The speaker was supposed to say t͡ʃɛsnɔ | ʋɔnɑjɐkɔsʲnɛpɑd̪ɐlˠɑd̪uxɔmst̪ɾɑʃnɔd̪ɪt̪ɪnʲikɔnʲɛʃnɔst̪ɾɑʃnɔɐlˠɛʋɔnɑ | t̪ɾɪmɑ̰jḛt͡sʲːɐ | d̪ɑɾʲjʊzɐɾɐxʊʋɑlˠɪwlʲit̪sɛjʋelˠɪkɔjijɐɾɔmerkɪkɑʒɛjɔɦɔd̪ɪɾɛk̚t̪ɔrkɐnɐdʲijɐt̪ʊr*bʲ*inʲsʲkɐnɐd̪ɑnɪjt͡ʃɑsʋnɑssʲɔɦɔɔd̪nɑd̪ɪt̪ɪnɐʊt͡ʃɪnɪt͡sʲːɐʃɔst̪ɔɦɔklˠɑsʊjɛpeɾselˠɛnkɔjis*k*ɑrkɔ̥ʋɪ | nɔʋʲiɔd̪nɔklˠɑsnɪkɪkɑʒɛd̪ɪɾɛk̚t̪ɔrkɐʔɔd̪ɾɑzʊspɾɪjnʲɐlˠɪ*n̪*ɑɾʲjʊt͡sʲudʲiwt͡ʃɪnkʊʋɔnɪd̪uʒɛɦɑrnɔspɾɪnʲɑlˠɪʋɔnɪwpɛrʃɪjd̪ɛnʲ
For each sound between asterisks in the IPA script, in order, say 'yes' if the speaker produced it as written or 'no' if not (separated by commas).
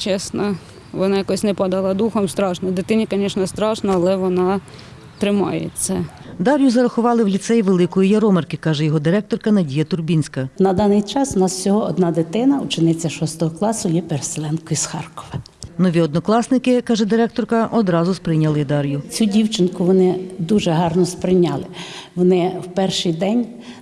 yes, no, no